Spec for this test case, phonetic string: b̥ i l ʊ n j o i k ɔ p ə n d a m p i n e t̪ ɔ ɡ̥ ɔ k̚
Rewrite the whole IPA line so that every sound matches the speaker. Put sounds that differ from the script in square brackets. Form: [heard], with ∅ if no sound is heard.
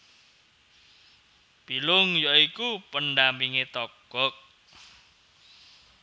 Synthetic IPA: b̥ i l ʊ [ŋ] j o i k [u] p ə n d a m p i [ŋ] e t̪ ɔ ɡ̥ ɔ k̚